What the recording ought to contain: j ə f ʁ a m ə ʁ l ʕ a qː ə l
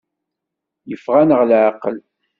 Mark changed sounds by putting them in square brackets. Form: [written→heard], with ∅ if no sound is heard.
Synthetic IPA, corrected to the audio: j ə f ʁ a [m→n] ə ʁ l ʕ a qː ə l